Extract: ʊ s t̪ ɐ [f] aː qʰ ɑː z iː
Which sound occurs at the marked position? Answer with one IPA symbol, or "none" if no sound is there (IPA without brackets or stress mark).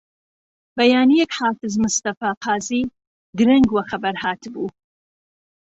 f